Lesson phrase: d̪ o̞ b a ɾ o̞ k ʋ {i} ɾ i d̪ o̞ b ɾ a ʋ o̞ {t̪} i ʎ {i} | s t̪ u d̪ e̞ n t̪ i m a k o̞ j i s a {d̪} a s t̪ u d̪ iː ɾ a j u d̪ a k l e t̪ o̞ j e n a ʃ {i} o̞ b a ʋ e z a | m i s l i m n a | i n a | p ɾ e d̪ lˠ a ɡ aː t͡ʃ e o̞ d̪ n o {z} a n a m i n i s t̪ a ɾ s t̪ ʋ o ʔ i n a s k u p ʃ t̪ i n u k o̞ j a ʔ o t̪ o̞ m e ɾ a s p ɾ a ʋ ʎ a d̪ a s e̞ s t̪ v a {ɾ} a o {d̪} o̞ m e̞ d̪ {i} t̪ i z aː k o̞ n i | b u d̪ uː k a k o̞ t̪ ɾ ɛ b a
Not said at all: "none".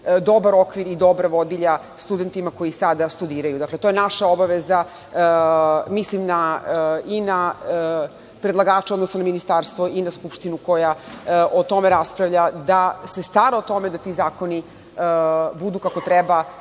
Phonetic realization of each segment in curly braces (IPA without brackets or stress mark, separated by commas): i, d̪, a, d̪, a, s, ɾ, t̪, a